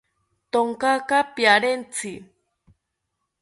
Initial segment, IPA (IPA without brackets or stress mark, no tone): t̪